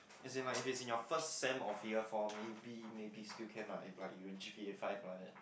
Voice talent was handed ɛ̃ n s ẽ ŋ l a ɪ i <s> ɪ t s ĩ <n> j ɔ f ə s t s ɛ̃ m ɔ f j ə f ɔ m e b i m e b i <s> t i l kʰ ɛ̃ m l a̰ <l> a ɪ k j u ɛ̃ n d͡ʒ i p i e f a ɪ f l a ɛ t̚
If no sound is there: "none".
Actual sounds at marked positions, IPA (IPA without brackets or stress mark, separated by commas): f, n, s, l